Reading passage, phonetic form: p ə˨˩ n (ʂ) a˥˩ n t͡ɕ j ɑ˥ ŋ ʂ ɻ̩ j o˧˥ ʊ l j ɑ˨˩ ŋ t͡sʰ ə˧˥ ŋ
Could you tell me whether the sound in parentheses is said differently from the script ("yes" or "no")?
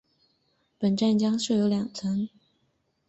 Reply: yes